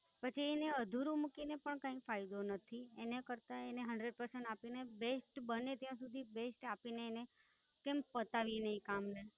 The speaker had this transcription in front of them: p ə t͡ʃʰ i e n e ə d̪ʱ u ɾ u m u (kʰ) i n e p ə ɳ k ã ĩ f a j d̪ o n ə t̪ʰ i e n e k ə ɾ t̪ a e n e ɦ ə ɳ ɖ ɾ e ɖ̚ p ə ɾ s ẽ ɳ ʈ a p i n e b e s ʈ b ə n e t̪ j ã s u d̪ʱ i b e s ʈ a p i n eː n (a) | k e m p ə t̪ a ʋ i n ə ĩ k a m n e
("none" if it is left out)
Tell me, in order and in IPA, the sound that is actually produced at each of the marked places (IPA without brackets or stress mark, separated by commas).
k, e